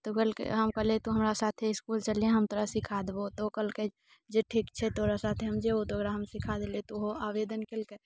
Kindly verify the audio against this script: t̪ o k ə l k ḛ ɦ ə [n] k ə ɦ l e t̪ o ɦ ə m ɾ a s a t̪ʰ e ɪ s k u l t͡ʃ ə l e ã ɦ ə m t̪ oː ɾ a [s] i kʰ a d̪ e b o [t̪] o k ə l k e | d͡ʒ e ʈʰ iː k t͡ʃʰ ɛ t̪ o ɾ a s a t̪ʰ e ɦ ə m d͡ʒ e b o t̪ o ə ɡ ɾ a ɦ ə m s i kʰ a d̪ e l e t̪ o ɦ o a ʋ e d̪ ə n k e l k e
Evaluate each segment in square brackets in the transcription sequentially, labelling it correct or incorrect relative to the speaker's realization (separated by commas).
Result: incorrect, correct, correct